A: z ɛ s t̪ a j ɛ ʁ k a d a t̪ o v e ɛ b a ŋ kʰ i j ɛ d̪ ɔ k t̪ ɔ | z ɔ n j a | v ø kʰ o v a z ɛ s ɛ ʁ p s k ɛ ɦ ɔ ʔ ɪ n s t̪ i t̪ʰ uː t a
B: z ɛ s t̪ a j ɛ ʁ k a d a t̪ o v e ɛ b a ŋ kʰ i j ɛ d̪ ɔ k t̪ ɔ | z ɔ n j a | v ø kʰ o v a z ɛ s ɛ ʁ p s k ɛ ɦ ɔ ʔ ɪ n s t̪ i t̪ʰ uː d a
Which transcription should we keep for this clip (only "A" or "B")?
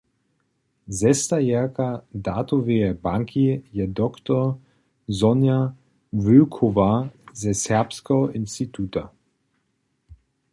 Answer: A